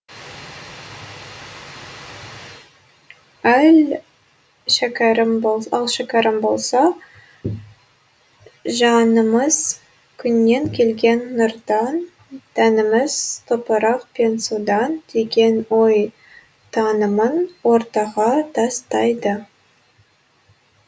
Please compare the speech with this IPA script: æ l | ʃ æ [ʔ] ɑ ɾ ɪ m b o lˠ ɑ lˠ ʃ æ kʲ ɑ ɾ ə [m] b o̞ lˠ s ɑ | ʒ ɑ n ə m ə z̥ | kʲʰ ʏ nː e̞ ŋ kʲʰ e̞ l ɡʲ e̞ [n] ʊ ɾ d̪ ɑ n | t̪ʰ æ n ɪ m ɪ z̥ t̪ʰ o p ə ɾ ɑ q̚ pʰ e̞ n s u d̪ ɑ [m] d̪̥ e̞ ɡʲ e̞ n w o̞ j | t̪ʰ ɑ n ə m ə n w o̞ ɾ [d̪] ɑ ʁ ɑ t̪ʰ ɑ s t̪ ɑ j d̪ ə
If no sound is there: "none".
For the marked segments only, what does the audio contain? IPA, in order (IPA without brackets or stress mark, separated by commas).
k, m, nː, n, t̪